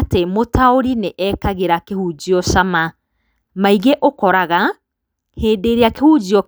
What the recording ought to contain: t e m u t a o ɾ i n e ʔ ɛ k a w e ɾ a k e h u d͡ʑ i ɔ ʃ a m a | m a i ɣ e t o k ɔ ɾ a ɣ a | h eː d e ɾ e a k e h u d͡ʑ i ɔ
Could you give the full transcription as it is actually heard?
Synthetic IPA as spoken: t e m o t a o ɾ i n e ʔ ɛ k a ɣ e ɾ a k e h u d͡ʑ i ɔ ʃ a m a | m a i ɣ e ʔ o k ɔ ɾ a ɣ a | h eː d e ɾ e a k e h u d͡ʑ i ɔ